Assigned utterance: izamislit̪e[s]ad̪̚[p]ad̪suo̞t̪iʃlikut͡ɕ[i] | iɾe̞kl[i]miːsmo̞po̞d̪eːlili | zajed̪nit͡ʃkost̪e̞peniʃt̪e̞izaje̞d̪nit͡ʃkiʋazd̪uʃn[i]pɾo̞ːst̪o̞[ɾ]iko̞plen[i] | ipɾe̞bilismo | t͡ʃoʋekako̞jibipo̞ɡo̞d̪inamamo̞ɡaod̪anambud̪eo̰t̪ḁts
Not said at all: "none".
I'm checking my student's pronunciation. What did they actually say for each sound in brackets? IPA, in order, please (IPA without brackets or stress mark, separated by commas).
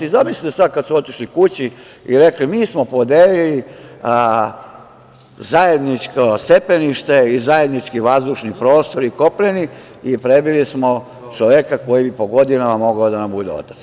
s, k, i, i, i, ɾ, i